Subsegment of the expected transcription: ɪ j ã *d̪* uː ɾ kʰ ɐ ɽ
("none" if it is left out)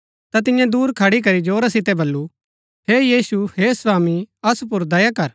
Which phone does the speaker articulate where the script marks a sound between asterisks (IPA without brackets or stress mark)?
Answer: d̪